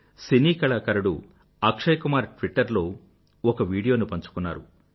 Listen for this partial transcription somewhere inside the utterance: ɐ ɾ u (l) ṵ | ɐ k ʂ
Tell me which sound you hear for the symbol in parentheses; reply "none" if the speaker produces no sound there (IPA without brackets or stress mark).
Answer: ɽ